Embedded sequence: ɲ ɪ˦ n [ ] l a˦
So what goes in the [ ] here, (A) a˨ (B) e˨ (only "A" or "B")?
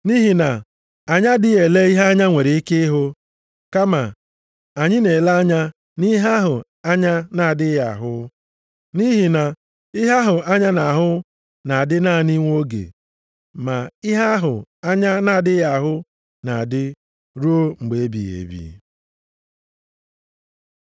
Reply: B